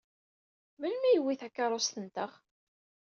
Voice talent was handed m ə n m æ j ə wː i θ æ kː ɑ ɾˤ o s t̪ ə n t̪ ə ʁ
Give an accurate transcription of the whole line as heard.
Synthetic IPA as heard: m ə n m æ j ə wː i θ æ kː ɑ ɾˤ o s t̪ ə n t̪ ə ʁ